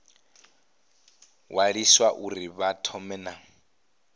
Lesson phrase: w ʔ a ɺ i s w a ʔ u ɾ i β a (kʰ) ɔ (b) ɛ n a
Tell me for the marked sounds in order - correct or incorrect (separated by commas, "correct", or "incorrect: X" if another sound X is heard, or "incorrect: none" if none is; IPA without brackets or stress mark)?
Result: incorrect: tʰ, incorrect: m